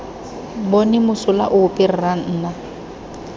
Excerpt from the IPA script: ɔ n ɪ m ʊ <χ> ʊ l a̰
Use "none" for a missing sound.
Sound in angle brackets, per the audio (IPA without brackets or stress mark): s